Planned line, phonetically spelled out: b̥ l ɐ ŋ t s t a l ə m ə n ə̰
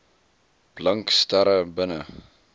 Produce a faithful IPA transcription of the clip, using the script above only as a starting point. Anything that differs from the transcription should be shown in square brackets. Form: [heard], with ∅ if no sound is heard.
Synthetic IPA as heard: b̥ l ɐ ŋ [k] s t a [ɾ] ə [b] ə n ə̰